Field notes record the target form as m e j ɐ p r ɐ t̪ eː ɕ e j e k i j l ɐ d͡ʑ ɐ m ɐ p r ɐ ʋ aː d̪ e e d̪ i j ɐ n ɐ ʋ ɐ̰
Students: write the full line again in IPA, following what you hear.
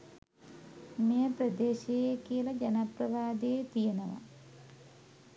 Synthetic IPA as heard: m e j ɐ p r ɐ d̪ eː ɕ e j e k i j l ɐ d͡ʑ ɐ n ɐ p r ɐ ʋ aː d̪ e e t̪ i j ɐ n ɐ ʋ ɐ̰